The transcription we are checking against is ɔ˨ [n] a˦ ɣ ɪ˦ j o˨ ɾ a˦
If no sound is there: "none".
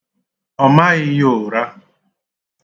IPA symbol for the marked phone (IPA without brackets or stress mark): m